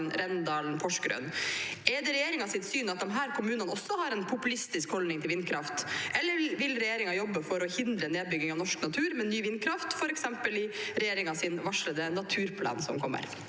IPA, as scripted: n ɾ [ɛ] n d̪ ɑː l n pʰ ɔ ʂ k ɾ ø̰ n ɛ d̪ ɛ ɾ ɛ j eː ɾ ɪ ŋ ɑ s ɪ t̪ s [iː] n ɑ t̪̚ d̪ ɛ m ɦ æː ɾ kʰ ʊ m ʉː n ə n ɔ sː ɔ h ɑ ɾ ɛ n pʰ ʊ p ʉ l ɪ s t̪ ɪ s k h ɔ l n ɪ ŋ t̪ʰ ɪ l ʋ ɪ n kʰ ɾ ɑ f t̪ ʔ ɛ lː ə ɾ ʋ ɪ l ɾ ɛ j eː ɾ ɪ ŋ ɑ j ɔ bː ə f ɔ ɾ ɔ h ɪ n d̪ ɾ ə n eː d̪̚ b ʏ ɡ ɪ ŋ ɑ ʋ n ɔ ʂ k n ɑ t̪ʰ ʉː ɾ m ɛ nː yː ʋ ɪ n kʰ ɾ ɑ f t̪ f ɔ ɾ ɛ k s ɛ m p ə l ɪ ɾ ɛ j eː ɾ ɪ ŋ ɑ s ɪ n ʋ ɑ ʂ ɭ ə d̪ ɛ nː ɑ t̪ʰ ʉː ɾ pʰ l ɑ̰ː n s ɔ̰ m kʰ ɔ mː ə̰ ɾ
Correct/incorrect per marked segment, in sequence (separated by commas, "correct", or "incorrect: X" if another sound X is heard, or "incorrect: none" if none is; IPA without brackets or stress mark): correct, incorrect: yː